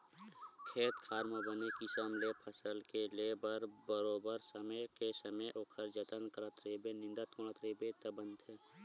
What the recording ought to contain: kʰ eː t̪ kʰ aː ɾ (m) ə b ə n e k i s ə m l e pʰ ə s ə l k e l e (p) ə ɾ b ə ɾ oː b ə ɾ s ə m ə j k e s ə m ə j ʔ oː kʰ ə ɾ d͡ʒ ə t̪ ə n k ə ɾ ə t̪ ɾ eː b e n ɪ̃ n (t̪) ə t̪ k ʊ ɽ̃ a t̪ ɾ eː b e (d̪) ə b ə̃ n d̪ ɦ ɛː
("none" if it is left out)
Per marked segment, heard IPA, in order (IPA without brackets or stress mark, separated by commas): m, b, d̪, t̪